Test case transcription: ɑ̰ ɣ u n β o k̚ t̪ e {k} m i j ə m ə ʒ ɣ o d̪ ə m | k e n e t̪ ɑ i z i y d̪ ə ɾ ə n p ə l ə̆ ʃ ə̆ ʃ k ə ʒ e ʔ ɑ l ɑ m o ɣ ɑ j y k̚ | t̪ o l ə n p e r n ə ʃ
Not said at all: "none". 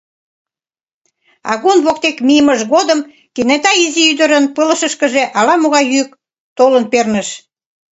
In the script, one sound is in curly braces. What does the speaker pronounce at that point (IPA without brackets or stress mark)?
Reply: k